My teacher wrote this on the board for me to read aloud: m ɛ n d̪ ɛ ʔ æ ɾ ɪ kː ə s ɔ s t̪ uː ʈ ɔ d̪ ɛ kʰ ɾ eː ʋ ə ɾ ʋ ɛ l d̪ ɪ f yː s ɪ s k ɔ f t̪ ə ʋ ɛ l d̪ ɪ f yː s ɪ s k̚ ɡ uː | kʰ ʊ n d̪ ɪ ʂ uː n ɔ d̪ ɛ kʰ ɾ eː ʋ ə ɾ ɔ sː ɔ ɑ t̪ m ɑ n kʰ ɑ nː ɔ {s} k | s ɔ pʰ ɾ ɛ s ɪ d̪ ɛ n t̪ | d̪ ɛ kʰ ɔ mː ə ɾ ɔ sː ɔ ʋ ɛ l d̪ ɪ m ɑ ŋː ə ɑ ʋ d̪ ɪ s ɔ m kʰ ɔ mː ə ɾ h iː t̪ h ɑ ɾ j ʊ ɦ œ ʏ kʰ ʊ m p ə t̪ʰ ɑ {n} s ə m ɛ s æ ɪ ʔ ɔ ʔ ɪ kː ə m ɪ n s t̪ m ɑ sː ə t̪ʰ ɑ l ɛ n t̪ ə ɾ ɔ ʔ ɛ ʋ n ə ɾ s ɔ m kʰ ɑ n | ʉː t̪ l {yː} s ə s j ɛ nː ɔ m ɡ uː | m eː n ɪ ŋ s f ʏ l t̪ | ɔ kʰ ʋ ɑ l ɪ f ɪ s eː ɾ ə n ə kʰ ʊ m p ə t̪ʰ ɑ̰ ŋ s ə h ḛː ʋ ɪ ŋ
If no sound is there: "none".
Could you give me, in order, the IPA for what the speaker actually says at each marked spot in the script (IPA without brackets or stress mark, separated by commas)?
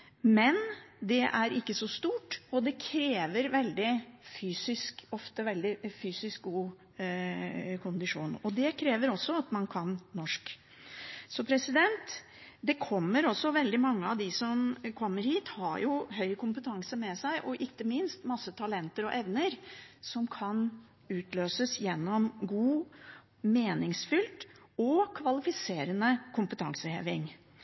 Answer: ʂ, ŋ, øː